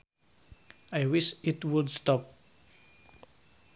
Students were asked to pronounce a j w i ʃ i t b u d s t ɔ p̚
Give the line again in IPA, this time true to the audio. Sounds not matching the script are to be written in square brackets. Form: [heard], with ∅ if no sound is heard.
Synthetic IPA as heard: a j w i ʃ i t [w] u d s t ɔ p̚